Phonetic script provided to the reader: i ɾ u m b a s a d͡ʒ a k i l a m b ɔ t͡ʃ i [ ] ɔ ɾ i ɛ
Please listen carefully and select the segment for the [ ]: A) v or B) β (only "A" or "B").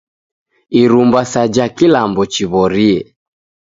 B